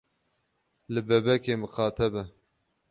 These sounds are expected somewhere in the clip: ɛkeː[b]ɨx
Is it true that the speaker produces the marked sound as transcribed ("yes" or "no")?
no